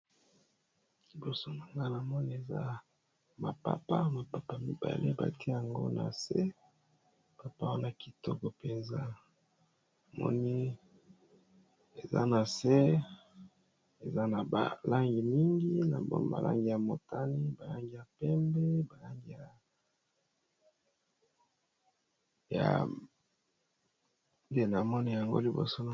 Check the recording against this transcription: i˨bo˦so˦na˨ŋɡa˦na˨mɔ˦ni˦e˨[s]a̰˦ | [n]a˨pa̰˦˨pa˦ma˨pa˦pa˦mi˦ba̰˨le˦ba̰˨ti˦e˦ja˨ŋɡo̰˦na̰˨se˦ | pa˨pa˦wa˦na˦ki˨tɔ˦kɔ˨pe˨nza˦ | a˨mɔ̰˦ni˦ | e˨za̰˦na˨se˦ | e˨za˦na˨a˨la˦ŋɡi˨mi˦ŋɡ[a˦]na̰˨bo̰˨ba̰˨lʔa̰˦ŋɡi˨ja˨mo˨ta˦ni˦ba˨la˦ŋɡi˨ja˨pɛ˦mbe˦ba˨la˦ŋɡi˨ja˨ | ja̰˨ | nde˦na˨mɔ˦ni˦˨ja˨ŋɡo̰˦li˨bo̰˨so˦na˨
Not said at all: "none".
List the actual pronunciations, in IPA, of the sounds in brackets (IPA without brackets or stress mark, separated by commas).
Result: z, m, i˦